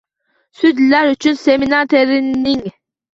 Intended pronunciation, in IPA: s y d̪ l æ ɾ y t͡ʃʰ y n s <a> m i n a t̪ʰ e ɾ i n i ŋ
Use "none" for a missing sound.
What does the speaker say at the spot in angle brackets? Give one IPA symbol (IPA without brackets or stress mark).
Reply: e